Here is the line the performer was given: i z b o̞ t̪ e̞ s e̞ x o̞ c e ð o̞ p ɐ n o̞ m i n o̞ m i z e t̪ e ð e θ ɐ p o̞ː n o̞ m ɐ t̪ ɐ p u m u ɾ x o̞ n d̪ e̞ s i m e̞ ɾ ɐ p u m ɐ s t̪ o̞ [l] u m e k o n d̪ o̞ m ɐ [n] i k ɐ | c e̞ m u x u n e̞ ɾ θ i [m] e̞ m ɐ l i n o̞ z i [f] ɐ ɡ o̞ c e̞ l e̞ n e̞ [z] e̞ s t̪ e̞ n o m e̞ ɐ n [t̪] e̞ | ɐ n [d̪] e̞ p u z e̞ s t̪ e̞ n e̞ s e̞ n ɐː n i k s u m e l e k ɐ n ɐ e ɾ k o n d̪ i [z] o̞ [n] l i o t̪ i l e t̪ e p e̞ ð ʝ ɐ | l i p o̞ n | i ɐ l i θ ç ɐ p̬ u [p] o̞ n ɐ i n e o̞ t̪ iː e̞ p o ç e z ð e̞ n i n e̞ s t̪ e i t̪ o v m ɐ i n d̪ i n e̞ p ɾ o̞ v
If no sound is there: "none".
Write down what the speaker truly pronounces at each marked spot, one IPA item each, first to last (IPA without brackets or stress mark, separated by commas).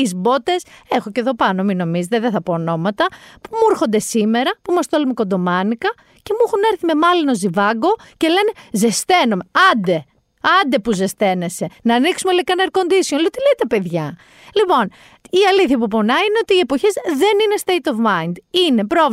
l, n, m, v, z, d̪, d̪, s, n, p